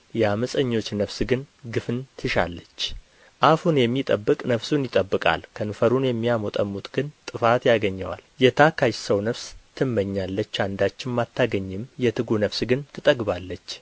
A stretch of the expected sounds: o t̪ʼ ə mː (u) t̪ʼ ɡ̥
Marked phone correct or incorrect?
correct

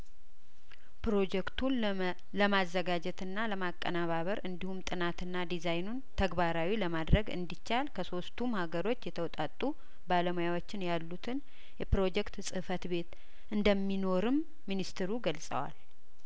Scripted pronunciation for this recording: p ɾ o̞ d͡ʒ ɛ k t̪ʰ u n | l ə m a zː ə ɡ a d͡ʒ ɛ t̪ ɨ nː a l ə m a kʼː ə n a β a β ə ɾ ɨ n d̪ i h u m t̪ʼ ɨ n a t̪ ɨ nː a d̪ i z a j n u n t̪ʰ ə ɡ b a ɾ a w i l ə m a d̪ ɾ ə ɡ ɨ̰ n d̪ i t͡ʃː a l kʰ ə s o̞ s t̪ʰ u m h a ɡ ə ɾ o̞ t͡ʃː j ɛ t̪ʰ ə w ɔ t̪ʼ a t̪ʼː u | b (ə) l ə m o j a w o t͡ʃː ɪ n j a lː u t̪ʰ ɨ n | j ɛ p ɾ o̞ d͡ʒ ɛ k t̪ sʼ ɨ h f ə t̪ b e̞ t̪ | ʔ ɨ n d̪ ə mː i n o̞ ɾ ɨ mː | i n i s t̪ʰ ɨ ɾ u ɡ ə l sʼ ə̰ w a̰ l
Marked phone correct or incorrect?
incorrect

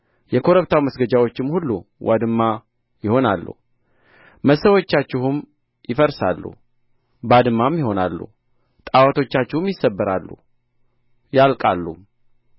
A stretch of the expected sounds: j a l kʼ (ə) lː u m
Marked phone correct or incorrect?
incorrect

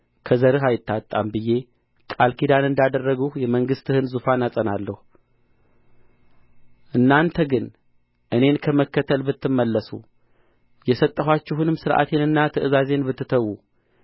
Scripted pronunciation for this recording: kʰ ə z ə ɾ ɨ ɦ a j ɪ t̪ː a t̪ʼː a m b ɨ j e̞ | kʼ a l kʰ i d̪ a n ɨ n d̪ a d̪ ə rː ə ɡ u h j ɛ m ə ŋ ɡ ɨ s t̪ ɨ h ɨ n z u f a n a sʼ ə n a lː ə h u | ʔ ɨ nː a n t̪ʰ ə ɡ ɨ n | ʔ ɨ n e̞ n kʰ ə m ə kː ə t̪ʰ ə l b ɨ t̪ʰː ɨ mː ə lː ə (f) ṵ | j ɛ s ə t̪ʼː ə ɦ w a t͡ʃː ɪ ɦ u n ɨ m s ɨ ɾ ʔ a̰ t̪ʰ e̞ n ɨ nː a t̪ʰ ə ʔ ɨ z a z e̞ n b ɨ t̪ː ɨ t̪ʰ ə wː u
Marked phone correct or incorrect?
incorrect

